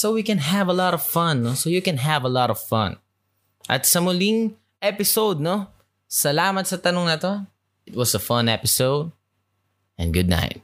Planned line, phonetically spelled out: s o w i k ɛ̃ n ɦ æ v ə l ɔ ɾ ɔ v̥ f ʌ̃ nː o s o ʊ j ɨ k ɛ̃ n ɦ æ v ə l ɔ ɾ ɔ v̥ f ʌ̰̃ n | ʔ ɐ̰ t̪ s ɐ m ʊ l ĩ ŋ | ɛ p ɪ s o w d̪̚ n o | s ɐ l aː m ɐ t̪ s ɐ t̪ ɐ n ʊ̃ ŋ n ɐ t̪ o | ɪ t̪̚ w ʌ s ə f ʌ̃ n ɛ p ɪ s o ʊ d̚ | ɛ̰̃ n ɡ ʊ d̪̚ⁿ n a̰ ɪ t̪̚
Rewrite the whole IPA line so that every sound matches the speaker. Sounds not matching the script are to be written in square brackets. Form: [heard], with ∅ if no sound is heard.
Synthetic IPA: s o w i k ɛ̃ n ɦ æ v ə l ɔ ɾ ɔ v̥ f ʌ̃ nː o s o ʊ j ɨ k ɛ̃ n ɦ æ v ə l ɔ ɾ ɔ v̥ f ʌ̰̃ n | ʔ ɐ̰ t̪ s ɐ m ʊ l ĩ ŋ | ɛ p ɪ s o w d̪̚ n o | s ɐ l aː m ɐ t̪ s ɐ t̪ ɐ n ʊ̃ ŋ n ɐ t̪ o | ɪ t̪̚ w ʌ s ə f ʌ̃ n ɛ p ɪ s o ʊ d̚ | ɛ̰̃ n ɡ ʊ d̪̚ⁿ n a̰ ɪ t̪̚